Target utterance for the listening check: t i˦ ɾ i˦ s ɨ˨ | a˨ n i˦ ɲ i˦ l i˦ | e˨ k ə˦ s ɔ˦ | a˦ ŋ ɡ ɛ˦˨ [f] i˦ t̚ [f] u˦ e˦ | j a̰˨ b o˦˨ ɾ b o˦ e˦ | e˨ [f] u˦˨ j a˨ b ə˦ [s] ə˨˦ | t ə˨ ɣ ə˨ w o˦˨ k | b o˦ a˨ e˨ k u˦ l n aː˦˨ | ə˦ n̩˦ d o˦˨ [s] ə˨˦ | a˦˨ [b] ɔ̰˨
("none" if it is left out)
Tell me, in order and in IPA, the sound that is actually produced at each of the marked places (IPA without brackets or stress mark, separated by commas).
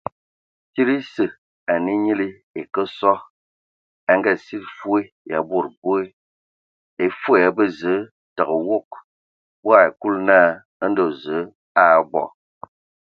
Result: s, f, f, z, z, b